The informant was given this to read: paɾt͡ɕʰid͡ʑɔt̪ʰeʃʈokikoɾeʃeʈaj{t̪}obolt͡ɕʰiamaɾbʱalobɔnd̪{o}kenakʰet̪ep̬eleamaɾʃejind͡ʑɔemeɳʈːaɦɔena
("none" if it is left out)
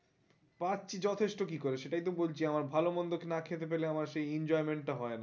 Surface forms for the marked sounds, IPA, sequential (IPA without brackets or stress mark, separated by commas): t̪, o